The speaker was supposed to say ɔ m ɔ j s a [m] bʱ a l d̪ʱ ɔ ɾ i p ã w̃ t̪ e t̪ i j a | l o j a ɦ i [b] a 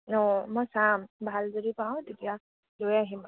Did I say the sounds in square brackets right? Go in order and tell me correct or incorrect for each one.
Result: correct, incorrect

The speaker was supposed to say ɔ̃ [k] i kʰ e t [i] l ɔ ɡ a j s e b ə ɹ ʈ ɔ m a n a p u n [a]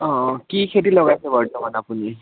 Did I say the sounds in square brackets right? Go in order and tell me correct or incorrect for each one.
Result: correct, correct, incorrect

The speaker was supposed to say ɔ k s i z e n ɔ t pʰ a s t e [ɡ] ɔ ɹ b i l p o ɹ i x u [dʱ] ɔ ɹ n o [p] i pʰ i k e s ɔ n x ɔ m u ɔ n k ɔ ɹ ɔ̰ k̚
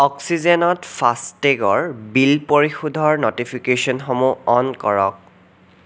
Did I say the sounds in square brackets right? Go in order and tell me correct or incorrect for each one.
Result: correct, correct, incorrect

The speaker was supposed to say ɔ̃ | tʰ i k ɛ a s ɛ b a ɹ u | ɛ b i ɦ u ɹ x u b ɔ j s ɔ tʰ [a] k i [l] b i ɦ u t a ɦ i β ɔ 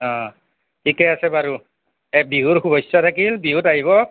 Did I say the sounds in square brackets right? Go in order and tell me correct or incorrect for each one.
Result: correct, correct

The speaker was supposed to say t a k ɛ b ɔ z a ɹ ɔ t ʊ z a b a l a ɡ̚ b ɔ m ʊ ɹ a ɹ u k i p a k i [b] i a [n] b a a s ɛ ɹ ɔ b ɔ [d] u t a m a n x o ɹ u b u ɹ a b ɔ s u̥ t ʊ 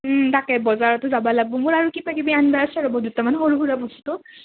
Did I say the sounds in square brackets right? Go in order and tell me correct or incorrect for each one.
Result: correct, correct, correct

